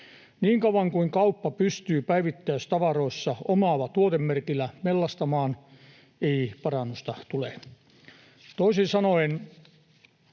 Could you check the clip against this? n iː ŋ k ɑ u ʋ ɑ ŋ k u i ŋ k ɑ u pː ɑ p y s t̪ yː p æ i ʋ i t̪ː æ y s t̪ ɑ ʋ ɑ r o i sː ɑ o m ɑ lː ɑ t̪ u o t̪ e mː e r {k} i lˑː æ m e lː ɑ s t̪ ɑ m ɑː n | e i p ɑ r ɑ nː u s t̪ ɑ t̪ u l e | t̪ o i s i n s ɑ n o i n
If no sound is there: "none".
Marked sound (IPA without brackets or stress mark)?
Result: k